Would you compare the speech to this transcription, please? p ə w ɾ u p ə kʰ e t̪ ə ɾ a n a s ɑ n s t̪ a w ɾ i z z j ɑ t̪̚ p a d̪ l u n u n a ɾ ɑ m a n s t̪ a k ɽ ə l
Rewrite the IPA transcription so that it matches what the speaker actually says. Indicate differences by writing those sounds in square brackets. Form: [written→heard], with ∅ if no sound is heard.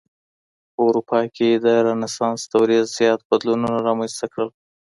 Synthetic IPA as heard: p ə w ɾ u p [ə→ɑ] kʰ e [t̪→d̪] ə ɾ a n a s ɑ n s t̪ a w ɾ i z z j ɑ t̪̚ [p→b] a d̪ l u n u n a ɾ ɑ m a n s t̪ a k ɽ ə l